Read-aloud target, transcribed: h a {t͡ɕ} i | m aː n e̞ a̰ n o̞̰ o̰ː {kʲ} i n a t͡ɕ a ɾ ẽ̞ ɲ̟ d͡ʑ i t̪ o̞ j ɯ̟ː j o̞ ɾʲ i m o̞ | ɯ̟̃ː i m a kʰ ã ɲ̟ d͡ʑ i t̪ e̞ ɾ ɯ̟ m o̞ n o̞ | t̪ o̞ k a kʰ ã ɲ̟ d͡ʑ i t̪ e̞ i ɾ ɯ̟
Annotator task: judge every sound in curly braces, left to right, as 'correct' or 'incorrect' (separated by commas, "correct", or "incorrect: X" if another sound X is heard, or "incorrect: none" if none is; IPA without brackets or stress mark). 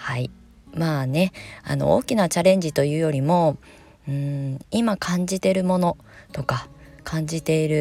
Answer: incorrect: none, correct